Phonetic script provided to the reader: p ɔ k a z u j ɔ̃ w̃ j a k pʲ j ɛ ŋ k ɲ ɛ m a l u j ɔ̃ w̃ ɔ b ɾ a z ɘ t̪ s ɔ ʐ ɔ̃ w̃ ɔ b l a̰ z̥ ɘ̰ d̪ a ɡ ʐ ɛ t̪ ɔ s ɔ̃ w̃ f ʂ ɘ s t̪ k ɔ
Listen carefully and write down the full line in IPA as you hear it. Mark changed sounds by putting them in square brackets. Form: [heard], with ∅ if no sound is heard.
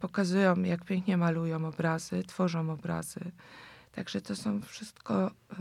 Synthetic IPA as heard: p ɔ k a z u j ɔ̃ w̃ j a k pʲ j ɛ ŋ k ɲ ɛ m a l u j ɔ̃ w̃ ɔ b ɾ a z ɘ t̪ [f] ɔ ʐ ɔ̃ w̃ ɔ b [ɾ] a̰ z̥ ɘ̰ [t̪] a ɡ ʐ ɛ t̪ ɔ s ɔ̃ w̃ f ʂ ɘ s t̪ k ɔ